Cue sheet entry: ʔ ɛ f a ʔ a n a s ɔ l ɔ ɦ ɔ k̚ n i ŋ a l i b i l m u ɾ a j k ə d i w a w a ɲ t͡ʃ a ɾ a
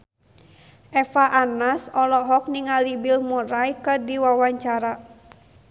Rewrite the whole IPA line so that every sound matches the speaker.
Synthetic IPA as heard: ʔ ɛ f a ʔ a n a s ɔ l ɔ ɦ ɔ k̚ n i ŋ a l i b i l m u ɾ a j k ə d i w a w a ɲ t͡ʃ a ɾ a